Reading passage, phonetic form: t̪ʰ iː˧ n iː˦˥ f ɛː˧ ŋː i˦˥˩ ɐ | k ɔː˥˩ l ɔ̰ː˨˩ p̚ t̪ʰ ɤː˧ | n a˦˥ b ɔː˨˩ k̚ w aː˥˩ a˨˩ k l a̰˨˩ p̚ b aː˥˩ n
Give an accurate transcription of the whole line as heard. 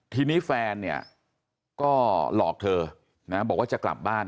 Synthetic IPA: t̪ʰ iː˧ n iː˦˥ f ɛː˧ nː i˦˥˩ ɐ | k ɔː˥˩ l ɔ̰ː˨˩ k̚ t̪ʰ ɤː˧ | n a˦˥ b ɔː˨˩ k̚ w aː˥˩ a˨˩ k l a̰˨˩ p̚ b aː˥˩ n